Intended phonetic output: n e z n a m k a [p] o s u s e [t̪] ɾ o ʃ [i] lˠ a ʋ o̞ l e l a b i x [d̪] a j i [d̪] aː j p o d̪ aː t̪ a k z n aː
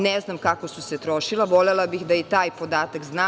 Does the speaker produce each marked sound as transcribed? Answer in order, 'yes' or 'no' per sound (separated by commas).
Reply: no, yes, yes, yes, no